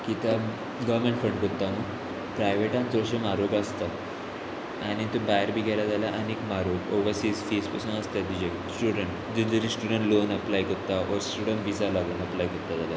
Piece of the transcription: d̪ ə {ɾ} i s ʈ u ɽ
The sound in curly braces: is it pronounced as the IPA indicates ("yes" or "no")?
yes